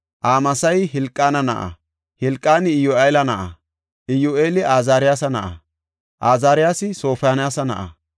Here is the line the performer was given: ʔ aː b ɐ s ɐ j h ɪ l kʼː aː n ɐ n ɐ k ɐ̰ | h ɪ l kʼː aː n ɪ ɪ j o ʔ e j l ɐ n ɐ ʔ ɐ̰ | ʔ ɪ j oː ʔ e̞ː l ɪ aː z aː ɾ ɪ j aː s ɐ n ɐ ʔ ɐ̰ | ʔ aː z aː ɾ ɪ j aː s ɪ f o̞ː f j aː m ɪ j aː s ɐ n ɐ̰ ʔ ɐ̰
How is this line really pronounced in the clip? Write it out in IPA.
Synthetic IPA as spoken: ʔ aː m ɐ s ɐ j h ɪ l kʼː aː n ɐ n ɐ ʔ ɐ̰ | h ɪ l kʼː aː n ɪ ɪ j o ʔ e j l ɐ n ɐ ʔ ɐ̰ | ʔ ɪ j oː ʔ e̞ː l ɪ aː z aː ɾ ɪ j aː s ɐ n ɐ ʔ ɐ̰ | ʔ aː z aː ɾ ɪ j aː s ɪ s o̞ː f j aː n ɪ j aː s ɐ n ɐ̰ ʔ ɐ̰